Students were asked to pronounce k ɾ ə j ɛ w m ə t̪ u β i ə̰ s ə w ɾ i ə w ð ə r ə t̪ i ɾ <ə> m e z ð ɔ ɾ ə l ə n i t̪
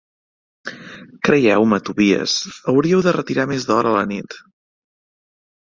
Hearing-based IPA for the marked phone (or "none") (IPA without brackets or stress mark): a